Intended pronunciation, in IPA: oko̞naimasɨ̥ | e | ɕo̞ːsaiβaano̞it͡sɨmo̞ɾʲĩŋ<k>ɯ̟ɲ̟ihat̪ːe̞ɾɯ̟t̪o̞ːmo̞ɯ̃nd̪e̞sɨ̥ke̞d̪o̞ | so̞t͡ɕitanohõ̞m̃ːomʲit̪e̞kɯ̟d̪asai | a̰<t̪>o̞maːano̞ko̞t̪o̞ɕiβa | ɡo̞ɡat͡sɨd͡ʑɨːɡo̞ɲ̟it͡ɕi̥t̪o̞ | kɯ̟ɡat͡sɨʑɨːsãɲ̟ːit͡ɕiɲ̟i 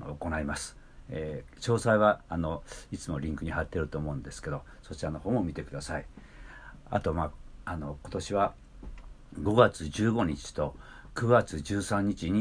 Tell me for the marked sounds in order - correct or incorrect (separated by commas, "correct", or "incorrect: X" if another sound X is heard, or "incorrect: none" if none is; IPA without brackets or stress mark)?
correct, correct